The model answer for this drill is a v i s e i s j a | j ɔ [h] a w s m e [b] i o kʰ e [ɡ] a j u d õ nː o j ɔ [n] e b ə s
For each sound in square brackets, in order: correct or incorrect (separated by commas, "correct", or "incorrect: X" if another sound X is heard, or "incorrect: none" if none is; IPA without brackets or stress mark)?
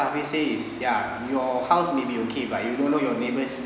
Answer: correct, correct, incorrect: b, correct